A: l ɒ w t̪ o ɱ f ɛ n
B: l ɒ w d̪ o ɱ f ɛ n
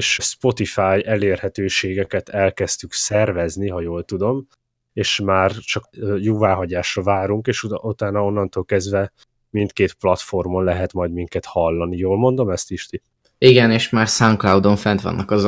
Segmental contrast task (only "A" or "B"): B